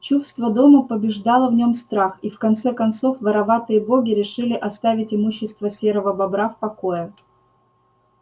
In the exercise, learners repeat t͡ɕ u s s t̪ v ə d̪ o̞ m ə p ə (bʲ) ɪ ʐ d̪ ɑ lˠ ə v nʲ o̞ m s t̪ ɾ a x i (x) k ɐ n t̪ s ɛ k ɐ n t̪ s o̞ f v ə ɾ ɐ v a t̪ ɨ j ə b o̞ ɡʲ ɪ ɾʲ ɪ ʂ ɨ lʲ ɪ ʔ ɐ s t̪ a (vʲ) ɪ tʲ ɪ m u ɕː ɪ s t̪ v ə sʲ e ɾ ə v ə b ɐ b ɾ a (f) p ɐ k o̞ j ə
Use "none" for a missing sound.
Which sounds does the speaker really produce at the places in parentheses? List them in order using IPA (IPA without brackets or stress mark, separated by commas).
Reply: bʲ, f, vʲ, f